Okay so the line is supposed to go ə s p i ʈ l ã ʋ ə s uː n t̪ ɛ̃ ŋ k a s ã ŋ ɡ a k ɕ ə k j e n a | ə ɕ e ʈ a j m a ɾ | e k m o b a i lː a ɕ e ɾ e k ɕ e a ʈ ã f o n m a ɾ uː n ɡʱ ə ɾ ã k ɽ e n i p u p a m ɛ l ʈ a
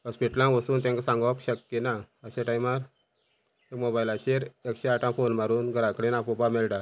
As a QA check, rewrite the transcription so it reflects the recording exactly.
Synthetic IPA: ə s p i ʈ l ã ʋ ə s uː n t̪ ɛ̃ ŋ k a s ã ŋ ɡ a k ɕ ə k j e n a | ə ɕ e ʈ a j m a ɾ | e k m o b a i l a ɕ e ɾ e k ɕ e a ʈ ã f o n m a ɾ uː n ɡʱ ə ɾ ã k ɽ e n a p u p a m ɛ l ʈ a